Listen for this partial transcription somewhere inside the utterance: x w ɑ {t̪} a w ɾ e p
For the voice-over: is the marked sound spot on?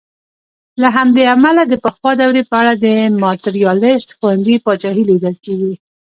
no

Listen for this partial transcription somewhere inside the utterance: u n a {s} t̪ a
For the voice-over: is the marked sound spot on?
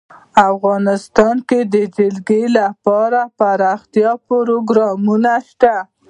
no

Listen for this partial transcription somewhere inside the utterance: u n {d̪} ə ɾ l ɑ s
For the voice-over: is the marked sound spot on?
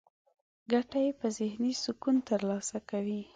no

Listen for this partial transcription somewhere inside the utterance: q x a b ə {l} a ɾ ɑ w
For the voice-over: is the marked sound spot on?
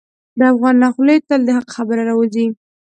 no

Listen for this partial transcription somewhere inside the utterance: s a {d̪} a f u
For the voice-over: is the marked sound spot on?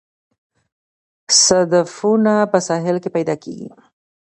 yes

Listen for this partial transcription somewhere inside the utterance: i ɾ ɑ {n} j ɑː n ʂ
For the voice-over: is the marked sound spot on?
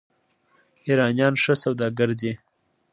yes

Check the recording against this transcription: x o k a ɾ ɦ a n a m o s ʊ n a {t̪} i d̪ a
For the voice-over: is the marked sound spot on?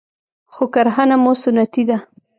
yes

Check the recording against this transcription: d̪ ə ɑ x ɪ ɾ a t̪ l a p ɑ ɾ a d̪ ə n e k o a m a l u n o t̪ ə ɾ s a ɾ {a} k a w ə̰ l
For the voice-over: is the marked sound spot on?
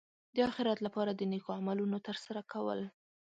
yes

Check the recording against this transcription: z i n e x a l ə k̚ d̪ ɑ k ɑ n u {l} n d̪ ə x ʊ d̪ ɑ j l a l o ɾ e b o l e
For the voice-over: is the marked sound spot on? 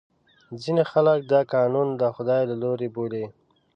no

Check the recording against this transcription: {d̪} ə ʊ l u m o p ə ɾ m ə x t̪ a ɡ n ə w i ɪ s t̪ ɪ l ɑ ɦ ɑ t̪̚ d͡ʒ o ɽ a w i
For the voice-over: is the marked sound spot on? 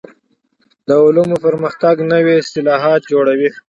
yes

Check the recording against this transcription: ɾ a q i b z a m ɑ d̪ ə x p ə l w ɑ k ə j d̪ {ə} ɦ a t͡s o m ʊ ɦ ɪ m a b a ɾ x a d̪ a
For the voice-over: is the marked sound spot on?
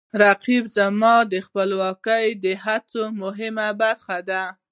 yes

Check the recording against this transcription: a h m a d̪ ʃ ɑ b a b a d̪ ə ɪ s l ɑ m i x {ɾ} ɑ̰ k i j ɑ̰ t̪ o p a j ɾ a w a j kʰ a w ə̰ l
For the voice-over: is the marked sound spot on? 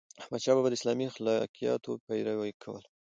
no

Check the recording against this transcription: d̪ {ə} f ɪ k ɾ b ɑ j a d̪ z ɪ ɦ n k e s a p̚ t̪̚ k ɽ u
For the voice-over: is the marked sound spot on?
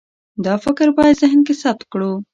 no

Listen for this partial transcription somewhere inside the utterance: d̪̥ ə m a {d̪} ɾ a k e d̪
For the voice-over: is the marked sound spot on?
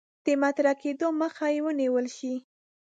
no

